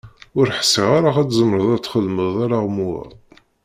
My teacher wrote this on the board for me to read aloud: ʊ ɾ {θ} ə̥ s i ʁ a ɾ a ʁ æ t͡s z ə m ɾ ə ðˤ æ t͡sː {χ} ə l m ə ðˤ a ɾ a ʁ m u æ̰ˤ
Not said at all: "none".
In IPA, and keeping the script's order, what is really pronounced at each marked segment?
ħ, χ

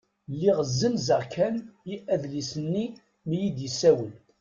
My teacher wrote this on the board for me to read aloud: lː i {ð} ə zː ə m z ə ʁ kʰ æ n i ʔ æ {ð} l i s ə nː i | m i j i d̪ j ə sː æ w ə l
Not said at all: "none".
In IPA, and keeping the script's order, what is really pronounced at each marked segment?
ʁ, ð

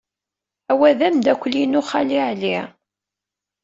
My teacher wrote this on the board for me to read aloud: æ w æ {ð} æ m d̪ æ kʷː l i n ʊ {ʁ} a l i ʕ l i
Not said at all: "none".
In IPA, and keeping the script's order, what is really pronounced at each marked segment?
ð, χ

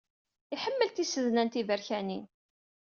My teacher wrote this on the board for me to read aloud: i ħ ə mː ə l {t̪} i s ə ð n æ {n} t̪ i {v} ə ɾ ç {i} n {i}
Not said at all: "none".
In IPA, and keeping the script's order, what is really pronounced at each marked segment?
t̪, n, v, æ, i

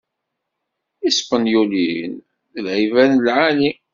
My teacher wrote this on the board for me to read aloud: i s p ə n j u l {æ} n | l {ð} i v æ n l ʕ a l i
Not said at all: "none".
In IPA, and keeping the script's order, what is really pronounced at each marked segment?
i, ʕ

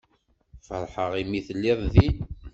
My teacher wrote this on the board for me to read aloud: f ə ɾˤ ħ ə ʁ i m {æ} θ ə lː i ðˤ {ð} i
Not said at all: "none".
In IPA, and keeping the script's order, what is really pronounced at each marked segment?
i, ð

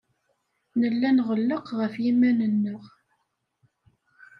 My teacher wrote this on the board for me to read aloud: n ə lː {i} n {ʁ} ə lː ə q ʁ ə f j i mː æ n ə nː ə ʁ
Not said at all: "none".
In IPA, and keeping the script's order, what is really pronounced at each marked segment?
æ, ʁ

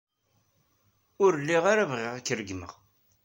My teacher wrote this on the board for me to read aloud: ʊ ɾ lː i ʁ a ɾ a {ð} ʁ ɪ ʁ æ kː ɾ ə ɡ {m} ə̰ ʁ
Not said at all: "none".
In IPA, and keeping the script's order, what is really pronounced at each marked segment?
v, m

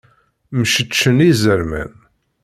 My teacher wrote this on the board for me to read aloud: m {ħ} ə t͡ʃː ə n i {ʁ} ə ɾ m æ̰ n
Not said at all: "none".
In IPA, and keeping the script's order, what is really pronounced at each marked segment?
ʃ, z

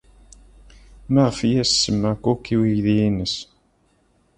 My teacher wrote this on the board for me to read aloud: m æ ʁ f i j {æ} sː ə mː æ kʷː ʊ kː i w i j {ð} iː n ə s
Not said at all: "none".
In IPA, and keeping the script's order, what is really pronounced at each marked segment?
æ, ð

